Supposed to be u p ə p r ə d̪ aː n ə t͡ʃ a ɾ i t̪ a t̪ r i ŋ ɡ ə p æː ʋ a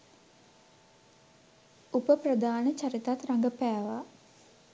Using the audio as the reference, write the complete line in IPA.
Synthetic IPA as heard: u p ə p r ə d̪ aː n ə t͡ʃ a ɾ i t̪ a t̪ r a ŋ ɡ ə p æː ʋ a